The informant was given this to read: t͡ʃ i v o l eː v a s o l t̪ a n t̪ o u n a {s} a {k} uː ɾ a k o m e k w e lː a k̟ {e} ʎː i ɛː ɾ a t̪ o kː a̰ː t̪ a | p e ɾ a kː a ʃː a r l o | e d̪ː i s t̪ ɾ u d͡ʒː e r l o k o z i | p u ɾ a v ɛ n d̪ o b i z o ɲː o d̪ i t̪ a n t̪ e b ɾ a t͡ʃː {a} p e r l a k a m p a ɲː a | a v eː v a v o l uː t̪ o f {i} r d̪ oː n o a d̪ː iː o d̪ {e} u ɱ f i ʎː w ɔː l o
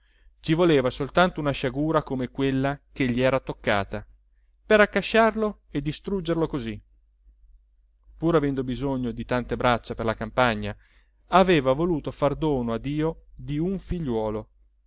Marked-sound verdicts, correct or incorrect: incorrect, incorrect, correct, correct, incorrect, incorrect

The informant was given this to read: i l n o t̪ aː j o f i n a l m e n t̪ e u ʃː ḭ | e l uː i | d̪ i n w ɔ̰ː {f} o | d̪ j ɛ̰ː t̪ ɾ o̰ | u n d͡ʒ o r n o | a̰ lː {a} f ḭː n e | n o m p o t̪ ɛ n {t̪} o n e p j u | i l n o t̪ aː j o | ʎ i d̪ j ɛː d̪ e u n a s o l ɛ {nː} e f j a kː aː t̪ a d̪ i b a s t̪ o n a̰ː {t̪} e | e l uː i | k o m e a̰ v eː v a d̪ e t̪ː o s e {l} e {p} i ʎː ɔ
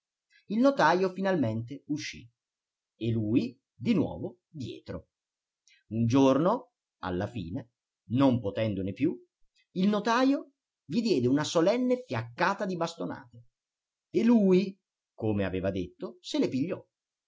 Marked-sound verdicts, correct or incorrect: incorrect, correct, incorrect, correct, correct, correct, correct

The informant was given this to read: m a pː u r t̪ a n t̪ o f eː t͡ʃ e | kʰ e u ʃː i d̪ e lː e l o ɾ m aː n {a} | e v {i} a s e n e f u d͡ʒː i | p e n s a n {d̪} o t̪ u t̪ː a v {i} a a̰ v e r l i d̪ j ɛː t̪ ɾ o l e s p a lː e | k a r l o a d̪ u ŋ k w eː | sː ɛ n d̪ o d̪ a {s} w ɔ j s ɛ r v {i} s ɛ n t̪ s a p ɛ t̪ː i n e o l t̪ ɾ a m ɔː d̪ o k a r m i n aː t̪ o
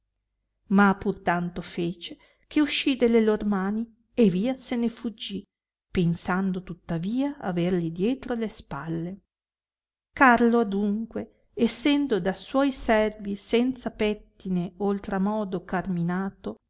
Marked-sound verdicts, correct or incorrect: incorrect, incorrect, correct, incorrect, correct, correct

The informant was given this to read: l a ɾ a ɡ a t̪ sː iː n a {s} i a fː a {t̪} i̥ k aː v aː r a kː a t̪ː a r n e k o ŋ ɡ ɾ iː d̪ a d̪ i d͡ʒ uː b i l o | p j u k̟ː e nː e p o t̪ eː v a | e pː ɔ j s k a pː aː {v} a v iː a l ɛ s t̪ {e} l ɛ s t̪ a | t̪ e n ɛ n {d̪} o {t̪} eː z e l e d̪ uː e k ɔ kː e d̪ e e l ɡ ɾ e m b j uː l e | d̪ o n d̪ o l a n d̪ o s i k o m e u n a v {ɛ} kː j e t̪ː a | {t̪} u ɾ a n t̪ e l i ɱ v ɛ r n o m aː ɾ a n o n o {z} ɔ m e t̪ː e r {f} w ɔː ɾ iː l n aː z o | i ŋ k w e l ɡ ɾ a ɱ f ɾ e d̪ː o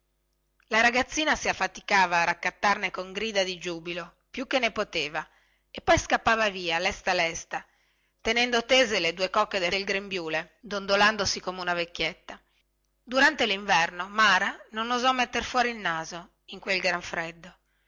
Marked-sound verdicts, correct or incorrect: correct, correct, correct, incorrect, correct, correct, incorrect, incorrect, correct, correct

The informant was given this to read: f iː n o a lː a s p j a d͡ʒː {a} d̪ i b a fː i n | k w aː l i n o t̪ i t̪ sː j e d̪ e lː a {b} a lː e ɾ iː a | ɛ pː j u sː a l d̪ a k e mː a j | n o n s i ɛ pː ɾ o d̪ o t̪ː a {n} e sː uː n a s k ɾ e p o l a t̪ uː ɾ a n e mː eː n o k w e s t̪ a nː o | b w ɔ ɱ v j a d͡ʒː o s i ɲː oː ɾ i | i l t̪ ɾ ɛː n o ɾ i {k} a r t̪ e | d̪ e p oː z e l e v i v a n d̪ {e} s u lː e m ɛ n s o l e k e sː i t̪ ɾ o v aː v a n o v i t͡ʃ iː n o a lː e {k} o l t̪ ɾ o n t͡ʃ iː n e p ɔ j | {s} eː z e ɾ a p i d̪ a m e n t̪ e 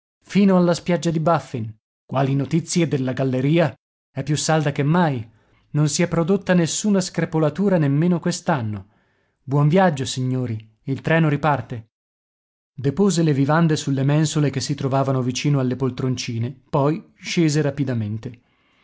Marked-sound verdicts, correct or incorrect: correct, incorrect, correct, incorrect, correct, incorrect, incorrect

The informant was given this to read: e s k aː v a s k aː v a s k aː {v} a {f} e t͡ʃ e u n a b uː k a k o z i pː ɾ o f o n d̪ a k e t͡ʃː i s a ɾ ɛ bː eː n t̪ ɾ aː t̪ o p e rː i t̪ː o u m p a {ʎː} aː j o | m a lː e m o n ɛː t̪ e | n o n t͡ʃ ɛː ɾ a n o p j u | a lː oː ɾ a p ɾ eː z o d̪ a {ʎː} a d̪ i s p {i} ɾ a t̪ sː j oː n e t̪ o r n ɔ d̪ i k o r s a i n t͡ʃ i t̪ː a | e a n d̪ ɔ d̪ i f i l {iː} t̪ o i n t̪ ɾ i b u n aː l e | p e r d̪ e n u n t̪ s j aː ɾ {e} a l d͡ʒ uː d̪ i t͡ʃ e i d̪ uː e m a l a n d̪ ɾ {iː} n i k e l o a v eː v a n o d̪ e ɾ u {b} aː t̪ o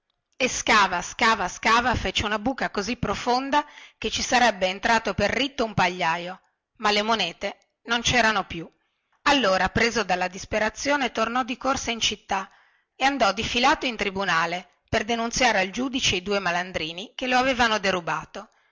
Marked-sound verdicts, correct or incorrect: correct, correct, correct, incorrect, incorrect, incorrect, correct, correct, correct

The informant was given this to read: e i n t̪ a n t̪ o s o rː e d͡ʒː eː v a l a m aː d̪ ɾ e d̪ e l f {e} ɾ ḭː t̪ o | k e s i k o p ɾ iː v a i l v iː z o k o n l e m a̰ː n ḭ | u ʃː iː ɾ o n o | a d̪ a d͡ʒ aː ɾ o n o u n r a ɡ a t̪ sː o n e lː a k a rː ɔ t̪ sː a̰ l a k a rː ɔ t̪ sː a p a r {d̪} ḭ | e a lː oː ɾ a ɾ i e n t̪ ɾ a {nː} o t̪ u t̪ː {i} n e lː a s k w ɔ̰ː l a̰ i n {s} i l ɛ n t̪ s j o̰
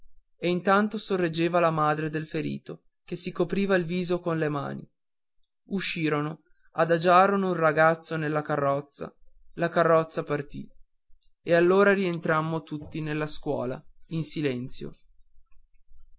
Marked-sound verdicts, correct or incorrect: correct, incorrect, incorrect, correct, correct

